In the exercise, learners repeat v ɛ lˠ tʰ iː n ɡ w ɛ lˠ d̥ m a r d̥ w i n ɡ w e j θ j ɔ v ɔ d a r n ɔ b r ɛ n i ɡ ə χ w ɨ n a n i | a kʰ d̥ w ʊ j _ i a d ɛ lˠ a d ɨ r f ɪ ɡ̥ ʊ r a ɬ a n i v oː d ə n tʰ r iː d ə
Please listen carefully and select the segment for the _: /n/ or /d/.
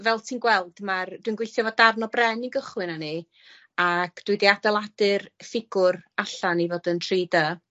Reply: d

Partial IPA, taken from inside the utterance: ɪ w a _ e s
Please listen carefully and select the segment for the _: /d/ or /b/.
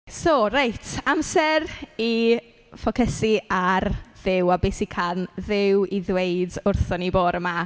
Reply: b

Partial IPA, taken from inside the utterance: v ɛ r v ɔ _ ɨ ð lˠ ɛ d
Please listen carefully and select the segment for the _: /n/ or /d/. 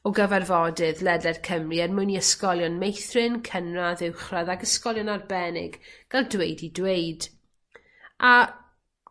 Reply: d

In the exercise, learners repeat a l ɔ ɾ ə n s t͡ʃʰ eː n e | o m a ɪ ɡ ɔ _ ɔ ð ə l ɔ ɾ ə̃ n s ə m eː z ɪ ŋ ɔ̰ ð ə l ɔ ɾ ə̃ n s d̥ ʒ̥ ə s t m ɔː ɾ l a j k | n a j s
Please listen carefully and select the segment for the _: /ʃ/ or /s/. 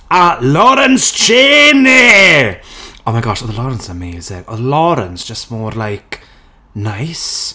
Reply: ʃ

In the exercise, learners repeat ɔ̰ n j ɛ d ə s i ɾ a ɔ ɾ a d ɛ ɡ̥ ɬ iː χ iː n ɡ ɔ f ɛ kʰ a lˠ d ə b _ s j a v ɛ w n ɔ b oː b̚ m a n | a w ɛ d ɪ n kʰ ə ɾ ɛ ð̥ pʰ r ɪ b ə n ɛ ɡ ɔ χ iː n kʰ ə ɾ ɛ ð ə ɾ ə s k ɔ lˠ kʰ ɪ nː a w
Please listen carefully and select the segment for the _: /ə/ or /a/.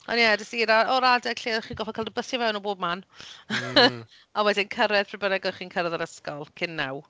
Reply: ə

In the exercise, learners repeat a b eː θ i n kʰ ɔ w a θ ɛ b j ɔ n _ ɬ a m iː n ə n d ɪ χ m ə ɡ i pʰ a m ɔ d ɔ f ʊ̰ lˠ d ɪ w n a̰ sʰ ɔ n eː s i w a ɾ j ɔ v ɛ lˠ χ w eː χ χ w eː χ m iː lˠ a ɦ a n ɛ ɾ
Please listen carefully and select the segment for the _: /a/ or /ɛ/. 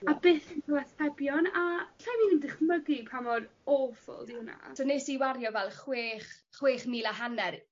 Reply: a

